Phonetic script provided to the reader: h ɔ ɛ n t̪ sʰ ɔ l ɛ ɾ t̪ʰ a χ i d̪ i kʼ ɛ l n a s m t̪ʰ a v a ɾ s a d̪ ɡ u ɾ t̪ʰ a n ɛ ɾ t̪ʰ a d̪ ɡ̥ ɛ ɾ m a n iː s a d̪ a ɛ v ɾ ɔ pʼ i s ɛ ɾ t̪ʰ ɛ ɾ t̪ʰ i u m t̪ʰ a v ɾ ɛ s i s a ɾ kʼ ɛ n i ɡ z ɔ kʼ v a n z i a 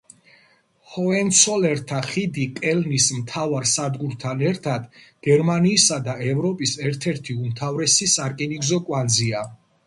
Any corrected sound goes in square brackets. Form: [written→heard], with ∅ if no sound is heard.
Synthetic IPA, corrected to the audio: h ɔ ɛ n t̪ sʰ ɔ l ɛ ɾ t̪ʰ a χ i d̪ i kʼ ɛ l n [a→i] s m t̪ʰ a v a ɾ s a d̪ ɡ u ɾ t̪ʰ a n ɛ ɾ t̪ʰ a d̪ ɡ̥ ɛ ɾ m a n iː s a d̪ a ɛ v ɾ ɔ pʼ i s ɛ ɾ t̪ʰ ɛ ɾ t̪ʰ i u m t̪ʰ a v ɾ ɛ s i s a ɾ kʼ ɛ n i ɡ z ɔ kʼ [v→w] a n z i a